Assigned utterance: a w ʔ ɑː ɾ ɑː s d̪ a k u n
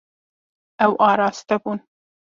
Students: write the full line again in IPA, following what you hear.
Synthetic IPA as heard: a w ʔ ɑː ɾ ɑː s t̪ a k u n